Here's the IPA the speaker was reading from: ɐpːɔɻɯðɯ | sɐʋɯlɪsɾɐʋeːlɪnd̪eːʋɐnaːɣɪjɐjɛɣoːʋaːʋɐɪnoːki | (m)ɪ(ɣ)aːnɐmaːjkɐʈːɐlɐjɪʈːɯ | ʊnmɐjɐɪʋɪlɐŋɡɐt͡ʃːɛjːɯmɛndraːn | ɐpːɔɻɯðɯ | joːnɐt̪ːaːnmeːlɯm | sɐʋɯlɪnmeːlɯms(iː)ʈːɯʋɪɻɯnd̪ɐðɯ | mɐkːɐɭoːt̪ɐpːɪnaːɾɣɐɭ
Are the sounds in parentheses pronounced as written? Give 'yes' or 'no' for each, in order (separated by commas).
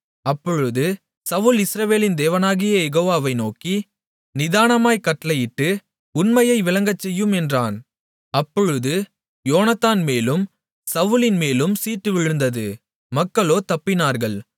no, no, yes